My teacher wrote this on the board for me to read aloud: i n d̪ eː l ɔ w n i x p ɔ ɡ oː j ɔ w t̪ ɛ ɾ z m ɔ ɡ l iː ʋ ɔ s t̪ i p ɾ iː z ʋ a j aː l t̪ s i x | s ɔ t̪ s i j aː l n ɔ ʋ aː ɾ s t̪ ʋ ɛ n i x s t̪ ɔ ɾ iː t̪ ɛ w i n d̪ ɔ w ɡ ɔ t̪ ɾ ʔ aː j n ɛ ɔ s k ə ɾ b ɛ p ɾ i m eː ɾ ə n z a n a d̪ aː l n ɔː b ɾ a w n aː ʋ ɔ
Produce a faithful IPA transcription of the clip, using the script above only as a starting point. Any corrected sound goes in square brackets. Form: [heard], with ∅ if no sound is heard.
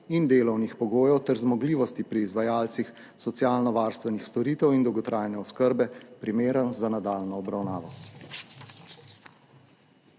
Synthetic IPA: i n d̪ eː l ɔ w n i x p ɔ ɡ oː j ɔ w t̪ ɛ ɾ z m ɔ ɡ l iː ʋ ɔ s t̪ i p ɾ iː z ʋ a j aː l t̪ s i x | s ɔ t̪ s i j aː l n ɔ ʋ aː ɾ s t̪ ʋ ɛ n i x s t̪ ɔ ɾ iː t̪ ɛ w i n d̪ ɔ w ɡ ɔ t̪ ɾ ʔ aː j n ɛ ɔ s k ə ɾ b ɛ p ɾ i m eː ɾ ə n z a n a d̪ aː l n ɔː b ɾ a w n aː ʋ ɔ